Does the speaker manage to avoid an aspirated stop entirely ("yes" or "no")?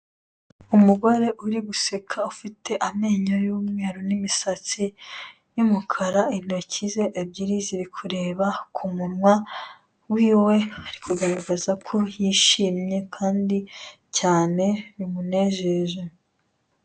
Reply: no